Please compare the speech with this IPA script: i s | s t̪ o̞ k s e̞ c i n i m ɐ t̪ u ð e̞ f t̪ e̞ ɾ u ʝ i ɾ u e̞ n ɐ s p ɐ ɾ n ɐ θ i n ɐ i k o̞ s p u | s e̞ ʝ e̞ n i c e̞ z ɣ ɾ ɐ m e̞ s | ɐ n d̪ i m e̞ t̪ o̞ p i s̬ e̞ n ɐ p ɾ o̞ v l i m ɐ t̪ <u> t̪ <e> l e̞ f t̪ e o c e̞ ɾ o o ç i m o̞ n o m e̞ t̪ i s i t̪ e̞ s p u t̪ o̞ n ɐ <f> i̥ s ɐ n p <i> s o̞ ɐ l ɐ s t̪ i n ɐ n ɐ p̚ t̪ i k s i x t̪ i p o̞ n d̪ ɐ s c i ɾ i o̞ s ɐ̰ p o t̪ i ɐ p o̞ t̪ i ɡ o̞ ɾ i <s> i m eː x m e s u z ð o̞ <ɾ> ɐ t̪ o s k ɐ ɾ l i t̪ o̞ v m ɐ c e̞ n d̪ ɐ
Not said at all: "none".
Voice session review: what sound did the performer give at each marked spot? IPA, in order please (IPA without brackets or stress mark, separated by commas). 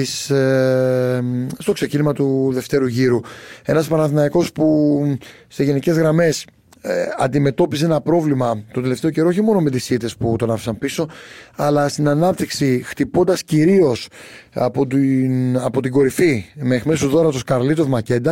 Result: o, e, f, i, f, ɾ